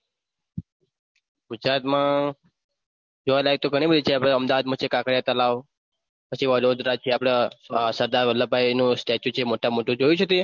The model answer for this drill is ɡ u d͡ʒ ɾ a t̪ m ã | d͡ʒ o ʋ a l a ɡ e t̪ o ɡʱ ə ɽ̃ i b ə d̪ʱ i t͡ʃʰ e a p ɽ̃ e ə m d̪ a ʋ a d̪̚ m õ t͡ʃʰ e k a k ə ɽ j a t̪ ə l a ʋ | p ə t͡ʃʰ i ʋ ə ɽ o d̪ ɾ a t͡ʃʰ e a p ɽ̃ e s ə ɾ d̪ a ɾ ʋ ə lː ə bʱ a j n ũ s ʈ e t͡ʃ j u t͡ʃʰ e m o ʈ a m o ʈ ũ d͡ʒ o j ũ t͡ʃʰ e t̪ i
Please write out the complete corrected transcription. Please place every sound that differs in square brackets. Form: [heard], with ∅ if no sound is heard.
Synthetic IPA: ɡ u d͡ʒ ɾ a t̪ m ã | d͡ʒ o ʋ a l a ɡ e t̪ o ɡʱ ə ɽ̃ i b ə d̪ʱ i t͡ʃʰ e a p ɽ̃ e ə m d̪ a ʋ a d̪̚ m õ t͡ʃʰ e k a k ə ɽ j a t̪ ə l a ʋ | p ə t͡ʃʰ i ʋ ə [l] o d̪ ɾ a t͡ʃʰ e a p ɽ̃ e s ə ɾ d̪ a ɾ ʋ ə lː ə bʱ a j n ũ s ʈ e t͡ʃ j u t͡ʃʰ e m o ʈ a m o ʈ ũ d͡ʒ o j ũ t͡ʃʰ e t̪ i